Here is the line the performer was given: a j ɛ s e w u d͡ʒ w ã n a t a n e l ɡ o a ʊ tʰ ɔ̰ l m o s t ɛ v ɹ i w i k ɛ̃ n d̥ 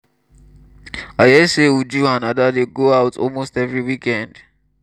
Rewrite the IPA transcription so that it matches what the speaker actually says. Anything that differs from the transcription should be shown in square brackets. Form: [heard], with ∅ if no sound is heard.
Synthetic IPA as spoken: a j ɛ s e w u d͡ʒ [u] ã n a [d] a [d] e [∅] ɡ o a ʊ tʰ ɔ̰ l m o s t ɛ v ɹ i w i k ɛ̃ n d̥